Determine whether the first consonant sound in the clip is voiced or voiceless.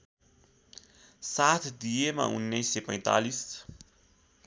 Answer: voiceless